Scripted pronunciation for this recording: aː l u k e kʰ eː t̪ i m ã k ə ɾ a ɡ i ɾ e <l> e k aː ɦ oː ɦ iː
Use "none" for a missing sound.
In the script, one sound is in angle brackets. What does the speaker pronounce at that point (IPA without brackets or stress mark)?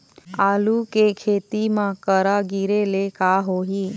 l